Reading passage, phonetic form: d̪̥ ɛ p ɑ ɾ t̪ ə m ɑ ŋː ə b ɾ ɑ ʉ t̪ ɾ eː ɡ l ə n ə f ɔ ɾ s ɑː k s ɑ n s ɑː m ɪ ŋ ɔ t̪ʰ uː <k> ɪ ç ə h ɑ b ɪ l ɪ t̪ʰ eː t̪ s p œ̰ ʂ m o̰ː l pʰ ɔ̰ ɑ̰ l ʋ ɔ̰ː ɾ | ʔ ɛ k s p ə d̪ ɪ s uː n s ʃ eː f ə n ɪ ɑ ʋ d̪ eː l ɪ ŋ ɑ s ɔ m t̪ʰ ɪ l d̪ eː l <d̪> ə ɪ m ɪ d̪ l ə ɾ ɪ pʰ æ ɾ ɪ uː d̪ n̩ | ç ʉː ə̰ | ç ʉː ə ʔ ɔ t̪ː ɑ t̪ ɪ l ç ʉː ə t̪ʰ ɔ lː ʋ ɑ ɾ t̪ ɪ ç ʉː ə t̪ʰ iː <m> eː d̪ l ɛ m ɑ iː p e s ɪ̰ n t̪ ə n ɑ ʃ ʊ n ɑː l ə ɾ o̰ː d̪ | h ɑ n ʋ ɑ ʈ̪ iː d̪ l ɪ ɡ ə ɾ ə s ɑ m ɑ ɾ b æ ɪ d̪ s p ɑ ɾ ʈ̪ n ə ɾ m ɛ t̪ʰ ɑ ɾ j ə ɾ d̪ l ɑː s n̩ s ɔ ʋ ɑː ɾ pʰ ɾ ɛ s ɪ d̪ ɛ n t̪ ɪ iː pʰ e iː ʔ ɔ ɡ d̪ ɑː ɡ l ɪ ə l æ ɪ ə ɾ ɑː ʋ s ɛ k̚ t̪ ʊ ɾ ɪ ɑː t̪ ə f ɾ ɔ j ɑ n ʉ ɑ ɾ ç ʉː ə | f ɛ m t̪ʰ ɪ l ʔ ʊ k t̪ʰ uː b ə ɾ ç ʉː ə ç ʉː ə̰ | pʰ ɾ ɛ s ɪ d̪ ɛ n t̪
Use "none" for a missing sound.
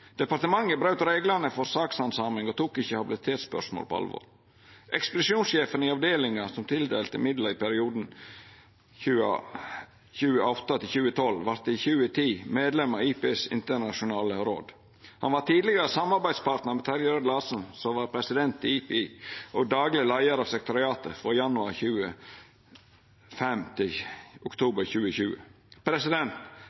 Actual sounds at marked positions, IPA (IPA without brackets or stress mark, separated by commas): k, t̪, m